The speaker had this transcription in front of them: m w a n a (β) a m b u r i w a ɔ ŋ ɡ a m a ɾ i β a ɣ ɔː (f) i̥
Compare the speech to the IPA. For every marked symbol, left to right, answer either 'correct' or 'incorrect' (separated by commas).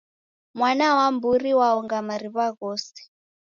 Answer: incorrect, incorrect